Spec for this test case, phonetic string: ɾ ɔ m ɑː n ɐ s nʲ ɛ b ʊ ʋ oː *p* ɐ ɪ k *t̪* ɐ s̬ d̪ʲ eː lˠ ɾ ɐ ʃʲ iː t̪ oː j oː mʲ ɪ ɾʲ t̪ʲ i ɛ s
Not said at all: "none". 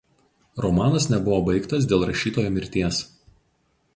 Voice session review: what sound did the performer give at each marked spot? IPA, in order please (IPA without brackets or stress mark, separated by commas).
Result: b, t̪